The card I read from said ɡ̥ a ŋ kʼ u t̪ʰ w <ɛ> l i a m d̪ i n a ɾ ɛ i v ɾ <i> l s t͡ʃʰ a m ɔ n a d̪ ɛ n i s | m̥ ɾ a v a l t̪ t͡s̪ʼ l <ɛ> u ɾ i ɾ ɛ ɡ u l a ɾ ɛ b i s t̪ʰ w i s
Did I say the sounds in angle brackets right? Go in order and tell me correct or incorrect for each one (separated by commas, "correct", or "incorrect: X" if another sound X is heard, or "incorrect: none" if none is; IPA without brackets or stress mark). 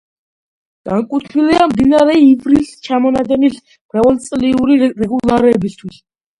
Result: incorrect: i, correct, incorrect: i